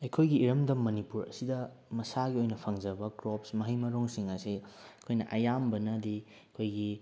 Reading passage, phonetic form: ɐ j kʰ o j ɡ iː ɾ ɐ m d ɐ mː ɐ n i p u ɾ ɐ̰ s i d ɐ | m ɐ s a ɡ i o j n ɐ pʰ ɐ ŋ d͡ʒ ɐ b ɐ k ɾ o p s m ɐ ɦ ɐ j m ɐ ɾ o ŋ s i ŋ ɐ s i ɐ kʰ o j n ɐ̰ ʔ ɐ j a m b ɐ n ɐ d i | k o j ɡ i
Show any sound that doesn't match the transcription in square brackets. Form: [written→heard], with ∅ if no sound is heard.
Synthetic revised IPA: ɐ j kʰ o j ɡ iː ɾ ɐ m d ɐ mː ɐ n i p u ɾ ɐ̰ s i d ɐ | m ɐ s a ɡ i o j n ɐ pʰ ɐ ŋ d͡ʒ ɐ b ɐ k ɾ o p s m ɐ ɦ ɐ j m ɐ ɾ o ŋ s i ŋ ɐ s i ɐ kʰ o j n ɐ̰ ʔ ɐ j a m b ɐ n ɐ d i | [k→kʰ] o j ɡ i